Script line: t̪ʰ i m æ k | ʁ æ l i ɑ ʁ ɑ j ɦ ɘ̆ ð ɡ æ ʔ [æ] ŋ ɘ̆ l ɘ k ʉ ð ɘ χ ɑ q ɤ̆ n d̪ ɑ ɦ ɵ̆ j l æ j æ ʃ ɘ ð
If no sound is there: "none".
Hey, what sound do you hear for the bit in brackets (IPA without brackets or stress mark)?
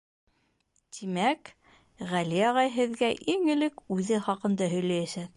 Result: i